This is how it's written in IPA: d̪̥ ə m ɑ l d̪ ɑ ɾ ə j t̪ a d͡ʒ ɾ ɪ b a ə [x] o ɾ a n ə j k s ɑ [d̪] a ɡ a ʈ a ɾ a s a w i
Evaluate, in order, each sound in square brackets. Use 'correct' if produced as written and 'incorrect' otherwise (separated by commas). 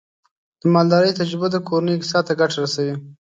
incorrect, incorrect